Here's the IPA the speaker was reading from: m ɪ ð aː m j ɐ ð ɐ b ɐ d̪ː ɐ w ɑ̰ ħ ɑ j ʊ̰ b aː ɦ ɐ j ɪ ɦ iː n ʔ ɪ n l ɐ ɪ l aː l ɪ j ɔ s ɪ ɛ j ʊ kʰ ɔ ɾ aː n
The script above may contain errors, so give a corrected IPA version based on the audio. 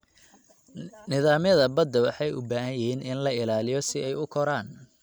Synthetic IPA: n ɪ ð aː m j ɐ ð ɐ b ɐ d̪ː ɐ w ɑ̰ ħ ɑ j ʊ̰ b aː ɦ ɐ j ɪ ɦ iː n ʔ ɪ n l ɐ ɪ l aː l ɪ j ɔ s ɪ ɛ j ʊ kʰ ɔ ɾ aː n

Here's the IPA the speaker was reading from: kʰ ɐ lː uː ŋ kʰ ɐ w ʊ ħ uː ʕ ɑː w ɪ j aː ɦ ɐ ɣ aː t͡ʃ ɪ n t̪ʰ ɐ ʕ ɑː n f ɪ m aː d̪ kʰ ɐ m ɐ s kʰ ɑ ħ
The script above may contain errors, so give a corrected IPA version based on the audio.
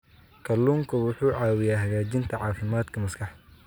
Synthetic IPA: kʰ ɐ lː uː ŋ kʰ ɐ w ʊ ħ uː ʕ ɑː w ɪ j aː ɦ ɐ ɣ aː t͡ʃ ɪ n t̪ʰ ɐ ʕ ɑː f ɪ m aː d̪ kʰ ɐ m ɐ s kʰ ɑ ħ

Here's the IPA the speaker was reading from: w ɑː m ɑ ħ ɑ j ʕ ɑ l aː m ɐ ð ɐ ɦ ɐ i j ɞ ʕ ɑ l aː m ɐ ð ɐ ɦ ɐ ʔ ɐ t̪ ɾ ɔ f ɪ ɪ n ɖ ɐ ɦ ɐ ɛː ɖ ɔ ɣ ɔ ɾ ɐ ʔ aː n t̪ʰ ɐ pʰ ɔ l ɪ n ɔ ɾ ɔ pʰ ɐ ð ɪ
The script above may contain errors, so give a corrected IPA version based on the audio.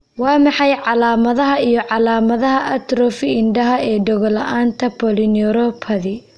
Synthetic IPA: w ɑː m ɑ ħ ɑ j ʕ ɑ l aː m ɐ ð ɐ ɦ ɐ i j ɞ ʕ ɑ l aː m ɐ ð ɐ ɦ ɐ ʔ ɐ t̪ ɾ ɔ f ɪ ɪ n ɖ ɐ ɦ ɐ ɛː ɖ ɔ ɣ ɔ l ɐ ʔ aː n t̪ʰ ɐ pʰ ɔ l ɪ n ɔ ɾ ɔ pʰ ɐ ð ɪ

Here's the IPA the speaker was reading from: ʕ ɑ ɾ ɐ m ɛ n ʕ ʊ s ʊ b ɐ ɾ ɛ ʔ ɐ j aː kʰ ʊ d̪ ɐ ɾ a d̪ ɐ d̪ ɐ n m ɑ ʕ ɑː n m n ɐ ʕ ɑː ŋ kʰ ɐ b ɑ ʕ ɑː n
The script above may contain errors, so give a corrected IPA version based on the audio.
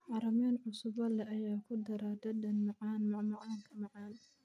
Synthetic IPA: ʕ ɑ ɾ ɐ m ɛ n ʕ ʊ s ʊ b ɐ l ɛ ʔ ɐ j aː kʰ ʊ d̪ ɐ ɾ a d̪ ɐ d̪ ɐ n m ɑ ʕ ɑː n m m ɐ ʕ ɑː ŋ kʰ ɐ m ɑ ʕ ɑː n

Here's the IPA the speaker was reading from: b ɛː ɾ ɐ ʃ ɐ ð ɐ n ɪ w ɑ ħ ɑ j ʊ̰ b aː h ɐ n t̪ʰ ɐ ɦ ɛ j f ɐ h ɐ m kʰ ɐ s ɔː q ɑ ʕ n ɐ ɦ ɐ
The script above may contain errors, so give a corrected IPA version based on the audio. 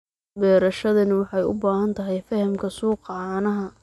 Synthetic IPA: b ɛː ɾ ɐ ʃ ɐ ð ɐ n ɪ w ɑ ħ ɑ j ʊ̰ b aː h ɐ n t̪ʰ ɐ ɦ ɛ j f ɐ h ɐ m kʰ ɐ s uː q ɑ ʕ n ɐ ɦ ɐ

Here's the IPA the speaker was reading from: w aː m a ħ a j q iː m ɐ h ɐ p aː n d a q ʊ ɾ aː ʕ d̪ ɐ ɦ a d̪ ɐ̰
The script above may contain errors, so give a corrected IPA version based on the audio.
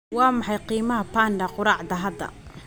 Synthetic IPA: w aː m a ħ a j q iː m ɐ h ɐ p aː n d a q ʊ ɾ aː ʕ d̪ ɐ ɦ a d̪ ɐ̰

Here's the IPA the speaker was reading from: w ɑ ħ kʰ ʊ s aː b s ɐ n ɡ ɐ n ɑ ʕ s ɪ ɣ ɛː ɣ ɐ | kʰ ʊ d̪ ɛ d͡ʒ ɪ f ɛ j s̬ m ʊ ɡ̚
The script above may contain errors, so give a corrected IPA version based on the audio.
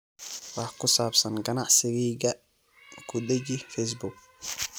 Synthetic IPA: w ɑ ħ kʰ ʊ s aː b s ɐ n ɡ ɐ n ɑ ʕ s ɪ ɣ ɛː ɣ ɐ | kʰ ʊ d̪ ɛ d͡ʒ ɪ f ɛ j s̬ b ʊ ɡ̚

